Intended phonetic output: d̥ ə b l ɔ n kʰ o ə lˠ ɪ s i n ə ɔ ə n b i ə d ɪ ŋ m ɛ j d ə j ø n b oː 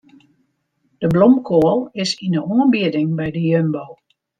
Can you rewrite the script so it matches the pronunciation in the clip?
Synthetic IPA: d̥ ə b l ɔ m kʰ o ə lˠ ɪ s i n ə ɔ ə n b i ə d ɪ ŋ b ɛ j d ə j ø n b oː